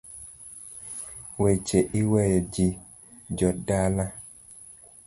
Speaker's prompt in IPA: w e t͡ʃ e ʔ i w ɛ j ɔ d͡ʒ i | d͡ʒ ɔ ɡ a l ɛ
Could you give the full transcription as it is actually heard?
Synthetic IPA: w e t͡ʃ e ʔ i w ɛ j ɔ d͡ʒ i | d͡ʒ ɔ d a l a